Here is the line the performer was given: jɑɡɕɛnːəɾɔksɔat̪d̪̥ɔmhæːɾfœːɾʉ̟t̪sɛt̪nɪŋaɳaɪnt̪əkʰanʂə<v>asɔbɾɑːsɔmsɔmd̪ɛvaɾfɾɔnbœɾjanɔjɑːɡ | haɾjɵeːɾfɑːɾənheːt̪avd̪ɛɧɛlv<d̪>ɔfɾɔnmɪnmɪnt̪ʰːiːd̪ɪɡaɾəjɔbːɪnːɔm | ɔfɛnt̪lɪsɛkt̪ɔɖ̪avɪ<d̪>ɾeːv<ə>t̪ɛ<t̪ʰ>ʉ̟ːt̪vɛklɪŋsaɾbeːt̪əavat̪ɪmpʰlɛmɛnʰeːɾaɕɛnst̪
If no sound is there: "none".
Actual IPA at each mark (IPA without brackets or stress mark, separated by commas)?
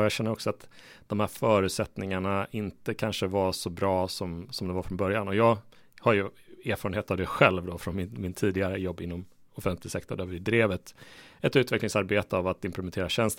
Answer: v, d̪, d̪, ə, t̪